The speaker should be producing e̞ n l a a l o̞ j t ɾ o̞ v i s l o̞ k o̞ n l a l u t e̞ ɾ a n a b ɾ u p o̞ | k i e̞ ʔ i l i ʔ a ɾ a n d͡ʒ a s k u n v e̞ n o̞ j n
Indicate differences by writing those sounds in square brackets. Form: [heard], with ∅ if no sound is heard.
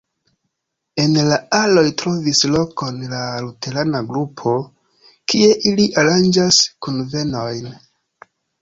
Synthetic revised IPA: e̞ n l a a l o̞ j t ɾ o̞ v i s l o̞ k o̞ n l a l u t e̞ ɾ a n a [ɡ] ɾ u [pʰ] o̞ | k i e̞ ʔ i l i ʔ a ɾ a n d͡ʒ a s k u n v e̞ n o̞ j n

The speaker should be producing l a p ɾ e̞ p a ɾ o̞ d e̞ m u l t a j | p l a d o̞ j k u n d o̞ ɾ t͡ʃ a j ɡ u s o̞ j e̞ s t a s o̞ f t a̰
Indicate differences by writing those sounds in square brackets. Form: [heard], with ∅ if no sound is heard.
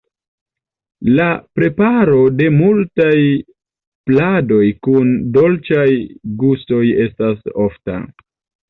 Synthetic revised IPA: l a p ɾ e̞ p a ɾ o̞ d e̞ m u l t a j | p l a d o̞ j k u n d o̞ [l] t͡ʃ a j ɡ u s o̞ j e̞ s t a s o̞ f t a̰

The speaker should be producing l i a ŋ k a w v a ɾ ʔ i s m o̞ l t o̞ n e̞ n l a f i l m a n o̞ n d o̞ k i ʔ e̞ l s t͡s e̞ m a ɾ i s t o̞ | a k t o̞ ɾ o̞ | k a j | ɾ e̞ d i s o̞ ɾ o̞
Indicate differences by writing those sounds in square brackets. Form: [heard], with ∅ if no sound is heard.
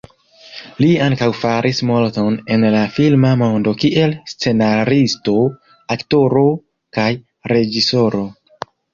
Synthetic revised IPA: l i a ŋ k a w [f] a ɾ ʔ i s m o̞ l t o̞ n e̞ n l a f i l m a [m] o̞ n d o̞ k i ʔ e̞ l s t͡s e̞ [n] a ɾ i s t o̞ | a k t o̞ ɾ o̞ | k a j | ɾ e̞ [d͡ʒ] i s o̞ ɾ o̞

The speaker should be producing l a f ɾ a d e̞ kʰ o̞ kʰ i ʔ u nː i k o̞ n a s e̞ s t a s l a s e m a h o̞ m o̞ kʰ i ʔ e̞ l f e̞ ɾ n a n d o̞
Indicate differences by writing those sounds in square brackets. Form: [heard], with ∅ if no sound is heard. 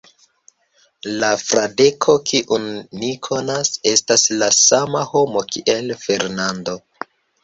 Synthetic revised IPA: l a f ɾ a d e̞ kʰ o̞ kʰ i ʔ u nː i [kʰ] o̞ n a s e̞ s t a s l a s [a] m a h o̞ m o̞ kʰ i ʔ e̞ l f e̞ ɾ n a n d o̞

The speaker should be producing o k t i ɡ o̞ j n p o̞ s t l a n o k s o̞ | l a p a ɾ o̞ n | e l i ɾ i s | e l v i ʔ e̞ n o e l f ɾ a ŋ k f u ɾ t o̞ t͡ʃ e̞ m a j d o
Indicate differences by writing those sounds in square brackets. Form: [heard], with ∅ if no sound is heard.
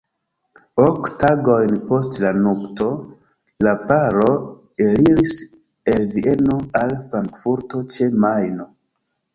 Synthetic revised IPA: o k t [a] ɡ o̞ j n p o̞ s t l a n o k [t] o̞ | l a p a ɾ o̞ [∅] | e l i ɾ i s | e l v i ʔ e̞ n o [a] l f ɾ a ŋ k f u ɾ t o̞ t͡ʃ e̞ m a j [n] o

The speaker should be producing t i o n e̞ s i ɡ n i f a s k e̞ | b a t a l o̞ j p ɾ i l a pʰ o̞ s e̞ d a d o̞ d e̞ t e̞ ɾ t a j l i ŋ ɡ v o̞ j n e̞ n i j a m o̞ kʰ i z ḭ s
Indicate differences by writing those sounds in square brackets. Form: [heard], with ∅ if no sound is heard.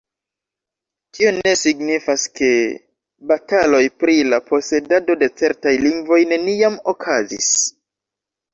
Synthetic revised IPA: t i o n e̞ s i ɡ n i f a s k e̞ | b a t a l o̞ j p ɾ i l a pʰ o̞ s e̞ d a d o̞ d e̞ [t͡s] e̞ ɾ t a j l i ŋ ɡ v o̞ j n e̞ n i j a m o̞ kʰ [a] z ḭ s

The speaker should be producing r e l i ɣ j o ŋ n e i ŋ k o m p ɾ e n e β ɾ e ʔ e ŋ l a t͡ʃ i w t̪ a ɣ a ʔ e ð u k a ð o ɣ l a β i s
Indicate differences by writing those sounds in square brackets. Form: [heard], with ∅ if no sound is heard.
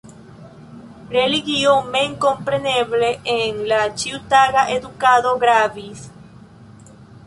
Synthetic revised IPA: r e l i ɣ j o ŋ [m] e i ŋ k o m p ɾ e n e β [l] e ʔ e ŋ l a t͡ʃ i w t̪ a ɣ a ʔ e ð u k a ð o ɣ [ɾ] a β i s

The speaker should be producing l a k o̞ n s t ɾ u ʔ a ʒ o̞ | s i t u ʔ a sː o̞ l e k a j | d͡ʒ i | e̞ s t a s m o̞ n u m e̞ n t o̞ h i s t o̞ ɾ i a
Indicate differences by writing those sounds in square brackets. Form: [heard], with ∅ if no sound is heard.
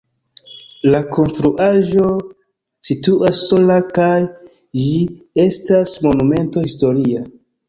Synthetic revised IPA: l a k o̞ n s t ɾ u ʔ a ʒ o̞ | s i t u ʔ a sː o̞ l [a] k a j | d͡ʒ i | e̞ s t a s m o̞ n u m e̞ n t o̞ h i s t o̞ ɾ i a

